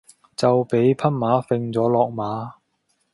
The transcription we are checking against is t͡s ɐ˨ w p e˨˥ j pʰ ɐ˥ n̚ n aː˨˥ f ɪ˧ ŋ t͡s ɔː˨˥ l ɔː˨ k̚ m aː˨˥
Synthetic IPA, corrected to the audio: t͡s ɐ˨ w p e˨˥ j pʰ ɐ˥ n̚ m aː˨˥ f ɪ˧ ŋ t͡s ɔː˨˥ l ɔː˨ k̚ m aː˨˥